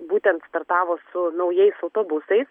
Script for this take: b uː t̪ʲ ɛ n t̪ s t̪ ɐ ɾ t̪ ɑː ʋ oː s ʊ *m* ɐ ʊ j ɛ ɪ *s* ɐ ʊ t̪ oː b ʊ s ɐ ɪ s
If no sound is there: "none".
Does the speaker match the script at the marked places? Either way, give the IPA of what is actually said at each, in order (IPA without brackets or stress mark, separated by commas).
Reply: n, s